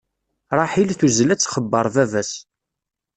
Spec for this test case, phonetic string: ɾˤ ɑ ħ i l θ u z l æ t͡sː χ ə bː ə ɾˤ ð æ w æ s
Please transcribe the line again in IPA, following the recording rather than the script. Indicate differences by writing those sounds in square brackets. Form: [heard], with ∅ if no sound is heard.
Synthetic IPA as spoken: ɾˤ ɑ ħ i l θ u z l æ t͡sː χ ə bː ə ɾˤ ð æ [v] æ s